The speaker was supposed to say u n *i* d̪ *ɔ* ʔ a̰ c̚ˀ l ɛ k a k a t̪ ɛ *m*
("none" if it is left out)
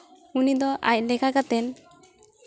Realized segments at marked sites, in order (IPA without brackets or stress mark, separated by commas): i, ɔ, n